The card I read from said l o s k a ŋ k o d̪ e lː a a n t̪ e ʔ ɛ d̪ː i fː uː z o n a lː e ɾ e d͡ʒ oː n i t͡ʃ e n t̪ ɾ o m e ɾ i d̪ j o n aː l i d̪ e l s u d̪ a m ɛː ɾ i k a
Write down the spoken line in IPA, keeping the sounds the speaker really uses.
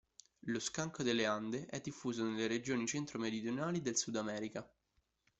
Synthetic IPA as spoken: l o s k a ŋ k o d̪ e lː e a n d̪ e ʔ ɛ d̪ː i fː uː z o n e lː e ɾ e d͡ʒ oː n i t͡ʃ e n t̪ ɾ o m e ɾ i d̪ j o n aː l i d̪ e l s u d̪ a m ɛː ɾ i k a